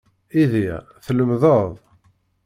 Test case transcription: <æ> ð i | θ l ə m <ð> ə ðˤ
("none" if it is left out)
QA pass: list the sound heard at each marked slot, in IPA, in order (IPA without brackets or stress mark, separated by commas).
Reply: i, ð